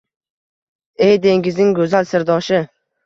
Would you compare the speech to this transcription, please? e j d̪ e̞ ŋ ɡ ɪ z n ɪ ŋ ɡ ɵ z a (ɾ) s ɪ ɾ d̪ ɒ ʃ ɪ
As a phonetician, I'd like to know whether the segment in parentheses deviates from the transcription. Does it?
yes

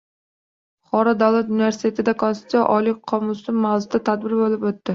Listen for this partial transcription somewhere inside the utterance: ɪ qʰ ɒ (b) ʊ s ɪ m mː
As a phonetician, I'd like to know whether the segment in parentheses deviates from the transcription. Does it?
yes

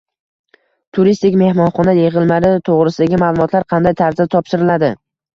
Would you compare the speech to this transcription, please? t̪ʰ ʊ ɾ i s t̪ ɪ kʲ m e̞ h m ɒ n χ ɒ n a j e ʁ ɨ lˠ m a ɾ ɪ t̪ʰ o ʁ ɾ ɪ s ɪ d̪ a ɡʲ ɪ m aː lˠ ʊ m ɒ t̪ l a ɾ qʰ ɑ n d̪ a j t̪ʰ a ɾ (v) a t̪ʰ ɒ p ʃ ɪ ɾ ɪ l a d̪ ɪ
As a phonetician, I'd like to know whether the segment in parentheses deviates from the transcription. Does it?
yes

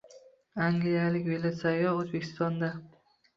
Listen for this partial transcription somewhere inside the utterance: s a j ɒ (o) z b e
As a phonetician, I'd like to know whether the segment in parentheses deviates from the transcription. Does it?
no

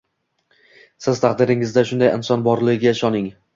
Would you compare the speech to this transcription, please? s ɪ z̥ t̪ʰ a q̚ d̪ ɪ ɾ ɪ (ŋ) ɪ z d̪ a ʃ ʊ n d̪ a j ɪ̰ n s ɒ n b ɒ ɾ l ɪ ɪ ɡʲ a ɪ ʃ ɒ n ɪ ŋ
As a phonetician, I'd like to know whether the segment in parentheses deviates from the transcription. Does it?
no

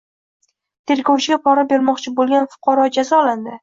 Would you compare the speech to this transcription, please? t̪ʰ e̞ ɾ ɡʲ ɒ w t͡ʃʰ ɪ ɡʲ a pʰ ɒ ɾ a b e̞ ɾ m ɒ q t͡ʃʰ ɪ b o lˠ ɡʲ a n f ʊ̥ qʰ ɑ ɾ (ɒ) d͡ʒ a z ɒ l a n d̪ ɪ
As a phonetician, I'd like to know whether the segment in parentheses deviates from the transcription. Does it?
no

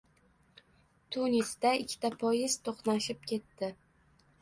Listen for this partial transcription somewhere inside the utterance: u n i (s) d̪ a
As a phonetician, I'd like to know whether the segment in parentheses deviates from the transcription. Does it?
no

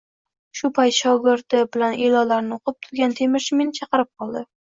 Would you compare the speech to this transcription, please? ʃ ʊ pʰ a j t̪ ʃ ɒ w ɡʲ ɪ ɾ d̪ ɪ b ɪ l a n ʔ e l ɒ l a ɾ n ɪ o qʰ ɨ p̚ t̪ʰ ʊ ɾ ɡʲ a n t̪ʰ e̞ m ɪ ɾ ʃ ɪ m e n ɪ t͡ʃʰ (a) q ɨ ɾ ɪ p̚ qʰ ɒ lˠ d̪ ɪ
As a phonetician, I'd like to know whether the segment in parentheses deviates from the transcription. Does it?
yes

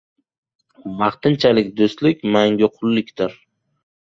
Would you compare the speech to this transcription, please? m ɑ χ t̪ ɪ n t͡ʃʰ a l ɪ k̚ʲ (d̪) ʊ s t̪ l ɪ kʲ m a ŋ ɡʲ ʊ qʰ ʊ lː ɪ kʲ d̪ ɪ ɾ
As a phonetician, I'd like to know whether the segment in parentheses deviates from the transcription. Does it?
no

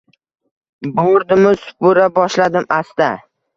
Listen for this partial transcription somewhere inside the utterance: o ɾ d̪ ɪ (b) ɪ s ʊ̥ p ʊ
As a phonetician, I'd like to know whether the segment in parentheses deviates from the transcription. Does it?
yes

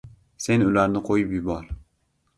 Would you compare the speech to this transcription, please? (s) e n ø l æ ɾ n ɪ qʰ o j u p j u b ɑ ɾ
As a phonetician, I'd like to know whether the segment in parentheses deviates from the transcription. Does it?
no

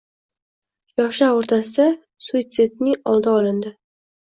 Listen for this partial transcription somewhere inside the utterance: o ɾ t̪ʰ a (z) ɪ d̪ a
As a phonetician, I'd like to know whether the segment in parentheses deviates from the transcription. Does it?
yes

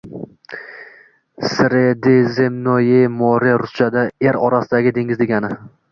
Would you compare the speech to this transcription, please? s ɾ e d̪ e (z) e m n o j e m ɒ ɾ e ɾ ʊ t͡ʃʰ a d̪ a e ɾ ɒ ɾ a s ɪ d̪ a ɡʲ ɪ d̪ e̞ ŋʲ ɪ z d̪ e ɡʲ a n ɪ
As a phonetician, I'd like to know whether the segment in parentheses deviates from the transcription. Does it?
no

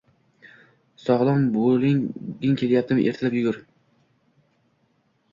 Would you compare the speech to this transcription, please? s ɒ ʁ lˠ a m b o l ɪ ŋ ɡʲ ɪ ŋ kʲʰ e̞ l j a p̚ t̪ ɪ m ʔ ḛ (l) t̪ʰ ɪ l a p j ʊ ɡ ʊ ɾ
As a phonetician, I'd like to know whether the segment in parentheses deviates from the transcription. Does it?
yes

